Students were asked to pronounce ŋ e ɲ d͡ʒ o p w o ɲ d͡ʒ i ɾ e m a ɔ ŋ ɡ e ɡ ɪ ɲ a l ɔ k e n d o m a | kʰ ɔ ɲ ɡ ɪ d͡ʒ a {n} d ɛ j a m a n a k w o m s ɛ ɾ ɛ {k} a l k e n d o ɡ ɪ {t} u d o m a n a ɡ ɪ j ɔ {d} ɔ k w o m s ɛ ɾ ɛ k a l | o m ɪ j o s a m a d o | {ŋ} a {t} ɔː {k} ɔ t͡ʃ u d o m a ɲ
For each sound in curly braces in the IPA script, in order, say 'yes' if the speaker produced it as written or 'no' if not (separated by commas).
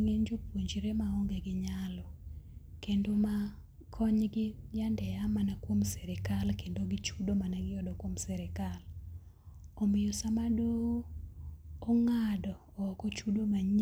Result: yes, yes, no, yes, yes, no, yes